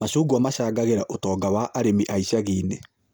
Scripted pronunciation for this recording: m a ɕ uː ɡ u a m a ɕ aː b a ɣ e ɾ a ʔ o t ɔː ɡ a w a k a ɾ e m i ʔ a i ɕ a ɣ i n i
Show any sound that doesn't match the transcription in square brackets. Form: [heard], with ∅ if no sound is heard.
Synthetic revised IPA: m a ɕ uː ɡ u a m a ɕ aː [ɡ] a ɣ e ɾ a ʔ o t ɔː ɡ a w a [ʔ] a ɾ e m i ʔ a i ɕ a ɣ i n [e]

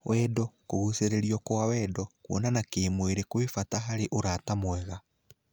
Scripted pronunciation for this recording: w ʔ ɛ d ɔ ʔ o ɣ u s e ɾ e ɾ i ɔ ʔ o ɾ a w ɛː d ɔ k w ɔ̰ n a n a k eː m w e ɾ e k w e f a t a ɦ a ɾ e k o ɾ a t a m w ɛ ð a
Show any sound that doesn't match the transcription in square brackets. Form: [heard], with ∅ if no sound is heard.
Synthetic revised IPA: w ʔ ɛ d ɔ [k] o ɣ u s e ɾ e ɾ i ɔ [k] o [∅] a w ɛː d ɔ k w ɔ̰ n a n a k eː m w e ɾ e k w e f a t a ɦ a ɾ e [ʔ] o ɾ a t a m w ɛ [ɣ] a

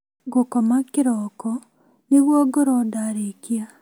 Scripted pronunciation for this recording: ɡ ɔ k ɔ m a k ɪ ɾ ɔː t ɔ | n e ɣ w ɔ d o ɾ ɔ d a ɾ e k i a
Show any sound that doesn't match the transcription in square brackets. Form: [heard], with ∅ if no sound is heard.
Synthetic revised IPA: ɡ [o] k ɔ m a k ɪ ɾ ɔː [k] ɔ | n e ɣ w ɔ [ɡ] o ɾ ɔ d a ɾ e k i a

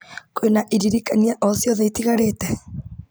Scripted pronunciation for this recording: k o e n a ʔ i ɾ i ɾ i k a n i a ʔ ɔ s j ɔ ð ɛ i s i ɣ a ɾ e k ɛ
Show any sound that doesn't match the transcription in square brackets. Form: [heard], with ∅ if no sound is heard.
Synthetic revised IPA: k o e n a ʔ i ɾ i ɾ i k a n i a ʔ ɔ s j ɔ ð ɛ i [t] i ɣ a ɾ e [t] ɛ

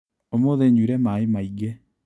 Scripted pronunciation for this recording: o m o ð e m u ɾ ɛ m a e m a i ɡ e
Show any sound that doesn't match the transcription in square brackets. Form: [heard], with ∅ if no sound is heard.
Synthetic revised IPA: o m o ð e [ɲ] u ɾ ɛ m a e m a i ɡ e

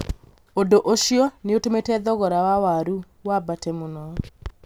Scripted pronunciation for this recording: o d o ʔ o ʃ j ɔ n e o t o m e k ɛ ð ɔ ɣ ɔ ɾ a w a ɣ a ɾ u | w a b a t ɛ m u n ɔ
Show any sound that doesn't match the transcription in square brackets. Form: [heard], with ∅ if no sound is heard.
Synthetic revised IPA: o d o ʔ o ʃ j ɔ n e o t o m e [t] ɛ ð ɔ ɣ ɔ ɾ a w a [w] a ɾ u | w a b a t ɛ m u n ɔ

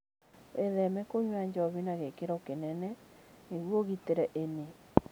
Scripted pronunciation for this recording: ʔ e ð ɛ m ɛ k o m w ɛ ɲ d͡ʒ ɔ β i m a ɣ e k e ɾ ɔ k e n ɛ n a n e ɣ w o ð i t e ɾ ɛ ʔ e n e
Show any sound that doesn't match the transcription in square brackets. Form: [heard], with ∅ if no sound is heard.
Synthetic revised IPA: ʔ e ð ɛ m ɛ k o [ɲ] w [a] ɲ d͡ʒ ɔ β i [n] a ɣ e k e ɾ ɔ k e n ɛ n [ɛ] n e ɣ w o [ɣ] i t e ɾ ɛ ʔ e n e

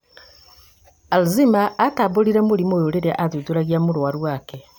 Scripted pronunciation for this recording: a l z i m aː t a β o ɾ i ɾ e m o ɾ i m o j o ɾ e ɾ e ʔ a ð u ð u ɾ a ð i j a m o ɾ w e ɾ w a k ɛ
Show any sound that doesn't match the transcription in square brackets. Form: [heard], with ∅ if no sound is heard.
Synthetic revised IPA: a l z i m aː t a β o ɾ i ɾ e m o ɾ i m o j o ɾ e ɾ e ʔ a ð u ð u ɾ a [ɣ] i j a m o ɾ w [a] ɾ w a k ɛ

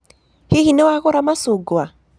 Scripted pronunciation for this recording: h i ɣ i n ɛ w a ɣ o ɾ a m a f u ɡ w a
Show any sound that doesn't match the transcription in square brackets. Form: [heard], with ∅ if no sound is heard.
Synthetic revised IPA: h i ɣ i n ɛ w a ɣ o ɾ a m a [s] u ɡ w a

